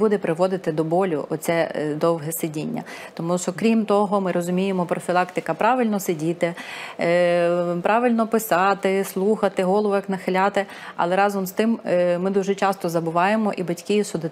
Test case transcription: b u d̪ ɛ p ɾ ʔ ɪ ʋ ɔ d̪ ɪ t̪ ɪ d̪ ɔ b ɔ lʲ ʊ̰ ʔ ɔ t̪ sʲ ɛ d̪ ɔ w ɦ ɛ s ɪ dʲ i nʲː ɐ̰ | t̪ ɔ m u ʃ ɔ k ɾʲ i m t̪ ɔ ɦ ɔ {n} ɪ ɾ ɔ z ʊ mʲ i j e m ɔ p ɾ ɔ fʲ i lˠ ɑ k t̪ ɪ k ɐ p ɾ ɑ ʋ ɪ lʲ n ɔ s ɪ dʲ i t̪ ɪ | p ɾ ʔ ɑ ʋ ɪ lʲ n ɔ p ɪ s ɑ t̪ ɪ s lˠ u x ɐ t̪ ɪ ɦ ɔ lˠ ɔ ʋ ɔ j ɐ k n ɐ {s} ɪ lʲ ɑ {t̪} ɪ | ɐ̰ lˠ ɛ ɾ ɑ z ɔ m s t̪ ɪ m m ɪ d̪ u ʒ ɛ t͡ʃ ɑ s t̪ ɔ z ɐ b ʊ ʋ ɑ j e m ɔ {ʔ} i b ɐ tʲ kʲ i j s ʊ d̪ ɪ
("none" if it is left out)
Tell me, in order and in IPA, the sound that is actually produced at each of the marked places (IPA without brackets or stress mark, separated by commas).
m, x, t̪, ʔ